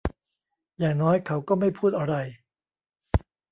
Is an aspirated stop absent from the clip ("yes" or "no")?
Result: no